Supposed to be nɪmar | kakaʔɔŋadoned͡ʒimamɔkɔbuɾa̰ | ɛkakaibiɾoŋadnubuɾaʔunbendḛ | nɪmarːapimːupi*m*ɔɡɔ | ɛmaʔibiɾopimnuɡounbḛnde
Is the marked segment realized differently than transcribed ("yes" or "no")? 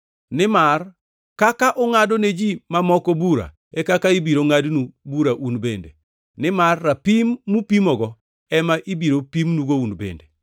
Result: no